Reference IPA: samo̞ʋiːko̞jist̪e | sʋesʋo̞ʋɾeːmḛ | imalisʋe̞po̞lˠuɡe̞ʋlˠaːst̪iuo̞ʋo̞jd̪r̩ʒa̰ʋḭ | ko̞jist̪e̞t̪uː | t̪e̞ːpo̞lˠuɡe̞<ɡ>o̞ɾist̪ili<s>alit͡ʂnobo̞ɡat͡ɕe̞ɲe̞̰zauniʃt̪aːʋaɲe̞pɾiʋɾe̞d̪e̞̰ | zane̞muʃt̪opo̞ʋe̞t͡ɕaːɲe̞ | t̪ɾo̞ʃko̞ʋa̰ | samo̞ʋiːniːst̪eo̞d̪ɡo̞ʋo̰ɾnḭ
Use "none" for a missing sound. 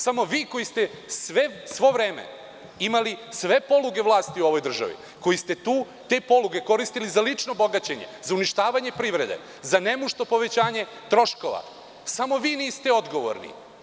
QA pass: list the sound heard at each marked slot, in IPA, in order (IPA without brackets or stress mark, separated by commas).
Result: k, z